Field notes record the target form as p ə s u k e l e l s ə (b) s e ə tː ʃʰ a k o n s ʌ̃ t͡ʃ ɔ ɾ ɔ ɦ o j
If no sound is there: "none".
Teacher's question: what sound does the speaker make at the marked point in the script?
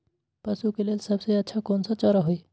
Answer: b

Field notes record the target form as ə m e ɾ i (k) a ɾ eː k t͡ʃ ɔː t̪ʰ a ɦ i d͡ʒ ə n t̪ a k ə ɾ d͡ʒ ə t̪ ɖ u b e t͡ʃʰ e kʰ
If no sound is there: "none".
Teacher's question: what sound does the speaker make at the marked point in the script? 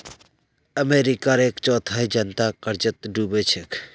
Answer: k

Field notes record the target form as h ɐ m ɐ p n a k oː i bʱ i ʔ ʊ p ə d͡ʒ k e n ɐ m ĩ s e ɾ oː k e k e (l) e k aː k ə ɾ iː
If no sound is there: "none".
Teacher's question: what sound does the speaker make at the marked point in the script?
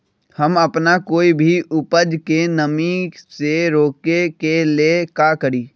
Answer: l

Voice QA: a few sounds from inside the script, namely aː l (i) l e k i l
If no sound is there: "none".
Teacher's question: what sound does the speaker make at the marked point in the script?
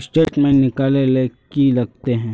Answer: e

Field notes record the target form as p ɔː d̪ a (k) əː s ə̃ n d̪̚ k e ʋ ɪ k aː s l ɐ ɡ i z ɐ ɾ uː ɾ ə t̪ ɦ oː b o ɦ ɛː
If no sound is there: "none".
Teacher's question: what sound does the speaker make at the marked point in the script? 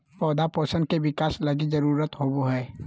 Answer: p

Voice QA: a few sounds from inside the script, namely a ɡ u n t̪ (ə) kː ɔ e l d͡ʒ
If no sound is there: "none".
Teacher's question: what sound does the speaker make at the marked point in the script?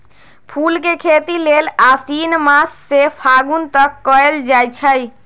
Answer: ə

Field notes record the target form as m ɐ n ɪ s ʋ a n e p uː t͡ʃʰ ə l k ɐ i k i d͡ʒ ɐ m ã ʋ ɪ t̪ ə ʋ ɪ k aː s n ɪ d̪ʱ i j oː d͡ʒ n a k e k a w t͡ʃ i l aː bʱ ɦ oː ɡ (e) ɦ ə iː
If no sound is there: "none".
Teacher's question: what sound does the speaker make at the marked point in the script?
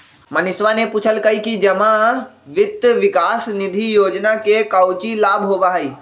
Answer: a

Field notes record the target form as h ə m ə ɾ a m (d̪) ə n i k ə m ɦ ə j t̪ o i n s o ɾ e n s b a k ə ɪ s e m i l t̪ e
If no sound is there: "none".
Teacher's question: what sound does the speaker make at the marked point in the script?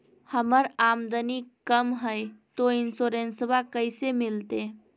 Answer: d̪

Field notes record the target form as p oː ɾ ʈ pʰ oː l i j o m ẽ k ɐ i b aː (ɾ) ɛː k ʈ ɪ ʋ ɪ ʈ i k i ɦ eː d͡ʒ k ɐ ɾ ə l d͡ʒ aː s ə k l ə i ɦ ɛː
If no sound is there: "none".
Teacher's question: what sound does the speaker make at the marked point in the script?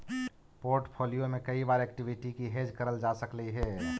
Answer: ɾ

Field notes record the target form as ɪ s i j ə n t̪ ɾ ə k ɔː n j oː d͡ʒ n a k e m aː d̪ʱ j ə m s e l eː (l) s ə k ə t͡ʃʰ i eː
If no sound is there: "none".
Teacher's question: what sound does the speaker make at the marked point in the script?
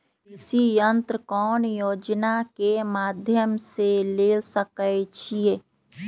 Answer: l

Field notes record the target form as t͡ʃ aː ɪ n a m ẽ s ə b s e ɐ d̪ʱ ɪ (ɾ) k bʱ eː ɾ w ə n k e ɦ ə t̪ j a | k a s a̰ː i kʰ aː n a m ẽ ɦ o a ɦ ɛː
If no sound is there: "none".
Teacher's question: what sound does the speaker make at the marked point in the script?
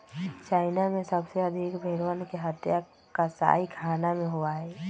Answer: none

